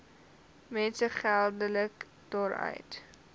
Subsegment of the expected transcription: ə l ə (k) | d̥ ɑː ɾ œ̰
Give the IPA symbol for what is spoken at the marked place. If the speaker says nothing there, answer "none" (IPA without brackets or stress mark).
k